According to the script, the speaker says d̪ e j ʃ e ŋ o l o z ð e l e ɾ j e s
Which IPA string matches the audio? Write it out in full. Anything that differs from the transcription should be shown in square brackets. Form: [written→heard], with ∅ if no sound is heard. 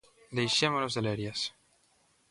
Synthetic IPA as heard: d̪ e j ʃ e [ŋ→m] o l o z ð e l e ɾ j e s